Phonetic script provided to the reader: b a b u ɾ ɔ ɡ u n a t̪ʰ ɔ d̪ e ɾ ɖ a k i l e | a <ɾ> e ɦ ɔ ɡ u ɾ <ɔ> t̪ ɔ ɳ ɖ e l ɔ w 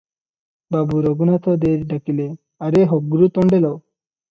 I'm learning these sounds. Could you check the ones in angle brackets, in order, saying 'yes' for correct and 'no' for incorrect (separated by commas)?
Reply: yes, no